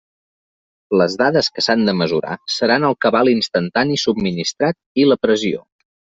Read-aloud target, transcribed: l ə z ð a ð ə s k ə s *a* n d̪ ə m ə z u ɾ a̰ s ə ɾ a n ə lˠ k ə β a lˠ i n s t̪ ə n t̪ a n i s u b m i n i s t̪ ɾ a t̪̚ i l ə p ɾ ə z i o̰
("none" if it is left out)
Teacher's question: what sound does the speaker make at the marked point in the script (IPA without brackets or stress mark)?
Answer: a